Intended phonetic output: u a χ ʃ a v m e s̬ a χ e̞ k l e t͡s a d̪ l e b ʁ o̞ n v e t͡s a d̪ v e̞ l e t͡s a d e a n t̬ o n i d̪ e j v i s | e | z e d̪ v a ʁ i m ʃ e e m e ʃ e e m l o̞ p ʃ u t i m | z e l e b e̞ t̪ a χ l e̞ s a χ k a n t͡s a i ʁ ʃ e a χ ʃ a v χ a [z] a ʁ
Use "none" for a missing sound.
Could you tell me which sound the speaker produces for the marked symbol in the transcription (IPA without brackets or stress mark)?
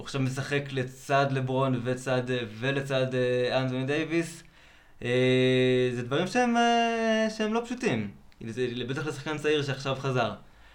z